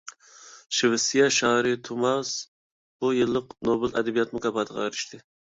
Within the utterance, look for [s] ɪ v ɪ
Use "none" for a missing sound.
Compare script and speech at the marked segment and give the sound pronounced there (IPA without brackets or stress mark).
ʃ